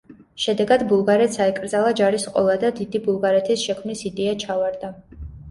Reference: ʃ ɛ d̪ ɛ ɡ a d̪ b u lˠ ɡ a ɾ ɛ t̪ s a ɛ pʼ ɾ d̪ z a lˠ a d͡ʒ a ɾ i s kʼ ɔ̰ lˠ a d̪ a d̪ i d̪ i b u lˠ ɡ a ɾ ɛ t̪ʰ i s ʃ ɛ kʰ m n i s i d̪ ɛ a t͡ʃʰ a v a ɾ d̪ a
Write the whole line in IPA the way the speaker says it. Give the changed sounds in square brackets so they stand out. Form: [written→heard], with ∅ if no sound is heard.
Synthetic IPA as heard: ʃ ɛ d̪ ɛ ɡ a d̪ b u lˠ ɡ a ɾ ɛ t̪ s a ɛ [pʼ→kʼ] ɾ d̪ z a lˠ a d͡ʒ a ɾ i s [kʼ→qʼ] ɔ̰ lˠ a d̪ a d̪ i d̪ i b u lˠ ɡ a ɾ ɛ t̪ʰ i s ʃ ɛ kʰ m n i s i d̪ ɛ a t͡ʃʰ a v a ɾ d̪ a